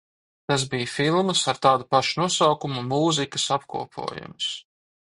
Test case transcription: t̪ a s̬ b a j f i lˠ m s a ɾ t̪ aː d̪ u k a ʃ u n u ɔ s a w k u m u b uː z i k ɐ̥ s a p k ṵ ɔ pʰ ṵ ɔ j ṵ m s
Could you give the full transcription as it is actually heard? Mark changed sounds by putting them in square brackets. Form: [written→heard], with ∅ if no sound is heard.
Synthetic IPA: t̪ a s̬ b [a→i] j f i lˠ m s a ɾ t̪ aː d̪ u [k→p] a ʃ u n u ɔ s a w k u m u [b→m] uː z i k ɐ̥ s a p k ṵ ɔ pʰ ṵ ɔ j ṵ m s

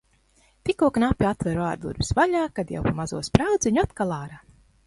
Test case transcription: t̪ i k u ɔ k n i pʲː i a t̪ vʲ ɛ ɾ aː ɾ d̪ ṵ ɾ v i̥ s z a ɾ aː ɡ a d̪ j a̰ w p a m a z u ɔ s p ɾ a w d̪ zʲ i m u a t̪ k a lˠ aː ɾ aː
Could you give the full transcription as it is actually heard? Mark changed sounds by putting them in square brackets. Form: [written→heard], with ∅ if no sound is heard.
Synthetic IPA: t̪ i k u ɔ k n [i→a] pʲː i a t̪ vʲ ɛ ɾ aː ɾ d̪ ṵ ɾ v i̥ s [z→v] a [ɾ→ʎ] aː [ɡ→k] a d̪ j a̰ w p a m a z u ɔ s p ɾ a w d̪ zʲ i [m→ɲ] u a t̪ k a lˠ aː ɾ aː

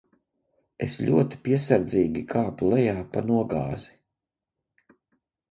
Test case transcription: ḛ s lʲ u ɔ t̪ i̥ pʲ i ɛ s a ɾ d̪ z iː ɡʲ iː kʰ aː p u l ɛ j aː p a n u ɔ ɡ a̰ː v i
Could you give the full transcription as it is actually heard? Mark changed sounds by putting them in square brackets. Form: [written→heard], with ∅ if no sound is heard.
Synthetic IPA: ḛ s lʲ u ɔ t̪ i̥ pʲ i ɛ s a ɾ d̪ z iː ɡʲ [iː→i] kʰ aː p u l ɛ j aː p a n u ɔ ɡ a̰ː [v→z] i

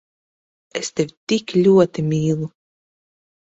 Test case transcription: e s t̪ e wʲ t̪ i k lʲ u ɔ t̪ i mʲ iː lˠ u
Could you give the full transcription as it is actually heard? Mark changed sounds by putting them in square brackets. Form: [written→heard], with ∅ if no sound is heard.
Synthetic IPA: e s t̪ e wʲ t̪ i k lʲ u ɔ t̪ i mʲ iː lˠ u

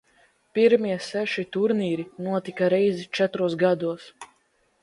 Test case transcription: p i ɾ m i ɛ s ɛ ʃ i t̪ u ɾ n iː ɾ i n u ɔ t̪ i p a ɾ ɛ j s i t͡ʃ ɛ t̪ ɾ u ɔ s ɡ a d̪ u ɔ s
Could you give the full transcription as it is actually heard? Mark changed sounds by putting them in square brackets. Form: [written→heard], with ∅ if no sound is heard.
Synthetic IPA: p i ɾ m i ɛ s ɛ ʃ i t̪ u ɾ n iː ɾ i n u ɔ t̪ i [p→k] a ɾ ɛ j [s→z] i t͡ʃ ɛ t̪ ɾ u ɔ s ɡ a d̪ u ɔ s

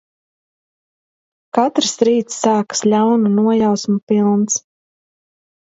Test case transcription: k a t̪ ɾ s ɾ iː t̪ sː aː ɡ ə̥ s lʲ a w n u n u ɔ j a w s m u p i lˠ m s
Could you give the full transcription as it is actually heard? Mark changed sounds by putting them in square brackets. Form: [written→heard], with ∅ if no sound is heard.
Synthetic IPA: k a t̪ ɾ s ɾ iː t̪ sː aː [ɡ→k] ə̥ s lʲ a w n u n u ɔ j a w s m u p i lˠ [m→n] s

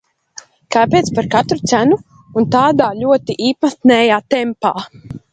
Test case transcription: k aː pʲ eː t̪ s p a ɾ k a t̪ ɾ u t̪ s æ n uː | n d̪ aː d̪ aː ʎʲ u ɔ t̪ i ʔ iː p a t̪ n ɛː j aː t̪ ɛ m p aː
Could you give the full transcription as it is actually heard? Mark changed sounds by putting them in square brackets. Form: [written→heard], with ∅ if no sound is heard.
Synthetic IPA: k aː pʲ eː t̪ s p a ɾ k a t̪ ɾ u t̪ s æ n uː | n [d̪→t̪] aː d̪ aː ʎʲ u ɔ t̪ i ʔ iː p a t̪ n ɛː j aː t̪ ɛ m p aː

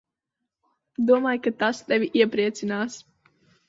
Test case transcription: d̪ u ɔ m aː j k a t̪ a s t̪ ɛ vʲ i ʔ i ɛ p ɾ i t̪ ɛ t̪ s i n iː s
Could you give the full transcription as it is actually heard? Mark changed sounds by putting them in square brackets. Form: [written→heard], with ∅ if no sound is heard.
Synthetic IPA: d̪ u ɔ m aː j k a t̪ a s t̪ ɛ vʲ i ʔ i ɛ p ɾ i [t̪→∅] ɛ t̪ s i n [iː→aː] s

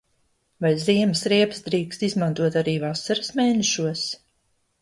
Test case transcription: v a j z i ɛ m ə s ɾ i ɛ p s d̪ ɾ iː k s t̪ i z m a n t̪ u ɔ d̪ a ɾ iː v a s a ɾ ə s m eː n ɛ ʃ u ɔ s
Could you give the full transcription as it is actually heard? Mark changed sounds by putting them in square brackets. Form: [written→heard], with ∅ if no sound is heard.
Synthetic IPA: v a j z i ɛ m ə s ɾ i ɛ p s d̪ ɾ iː k s t̪ i z m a n t̪ u ɔ [d̪→t̪] a ɾ iː v a s a ɾ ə s m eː n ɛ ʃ u ɔ s

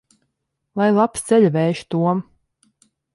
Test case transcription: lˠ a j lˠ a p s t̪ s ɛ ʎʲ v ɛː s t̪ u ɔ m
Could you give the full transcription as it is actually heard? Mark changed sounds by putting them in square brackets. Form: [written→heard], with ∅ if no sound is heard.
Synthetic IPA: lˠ a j lˠ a p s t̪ s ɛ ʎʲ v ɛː [s→ʃ] t̪ u ɔ m

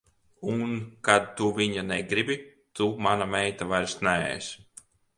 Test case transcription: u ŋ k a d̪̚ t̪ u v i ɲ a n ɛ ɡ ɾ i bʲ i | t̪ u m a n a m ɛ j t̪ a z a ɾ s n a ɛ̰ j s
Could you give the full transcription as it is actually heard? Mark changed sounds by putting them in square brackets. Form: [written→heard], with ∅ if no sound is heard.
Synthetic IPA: u [ŋ→n] k a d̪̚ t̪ u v i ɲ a n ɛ ɡ ɾ i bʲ i | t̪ u m a n a m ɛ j t̪ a [z→v] a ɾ s n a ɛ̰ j s

